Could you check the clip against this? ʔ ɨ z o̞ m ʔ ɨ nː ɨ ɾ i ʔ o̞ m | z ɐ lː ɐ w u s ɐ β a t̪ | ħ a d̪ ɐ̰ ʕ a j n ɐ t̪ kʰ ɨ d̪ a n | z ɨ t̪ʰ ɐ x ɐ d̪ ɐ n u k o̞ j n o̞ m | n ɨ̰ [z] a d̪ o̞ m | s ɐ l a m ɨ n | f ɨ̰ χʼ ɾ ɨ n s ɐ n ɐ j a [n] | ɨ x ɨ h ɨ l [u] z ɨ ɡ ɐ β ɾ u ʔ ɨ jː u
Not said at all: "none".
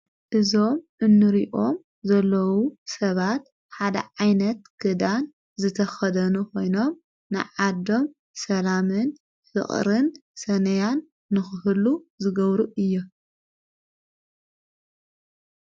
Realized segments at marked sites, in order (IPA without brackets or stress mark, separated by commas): ʕ, nː, u